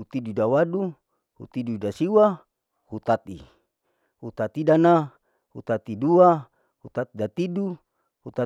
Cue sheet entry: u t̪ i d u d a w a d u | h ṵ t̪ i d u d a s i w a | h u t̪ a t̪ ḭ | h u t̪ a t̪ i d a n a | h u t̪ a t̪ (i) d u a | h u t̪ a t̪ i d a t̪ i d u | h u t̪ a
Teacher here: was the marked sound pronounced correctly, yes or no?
yes